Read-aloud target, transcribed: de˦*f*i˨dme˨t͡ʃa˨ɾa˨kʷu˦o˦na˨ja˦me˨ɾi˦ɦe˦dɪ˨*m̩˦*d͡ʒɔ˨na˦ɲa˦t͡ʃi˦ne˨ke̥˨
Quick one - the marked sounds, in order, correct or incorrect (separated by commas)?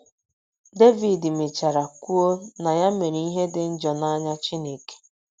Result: incorrect, incorrect